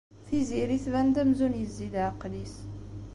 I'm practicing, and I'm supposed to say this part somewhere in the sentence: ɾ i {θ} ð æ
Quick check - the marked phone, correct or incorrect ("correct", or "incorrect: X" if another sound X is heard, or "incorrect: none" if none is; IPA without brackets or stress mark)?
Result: correct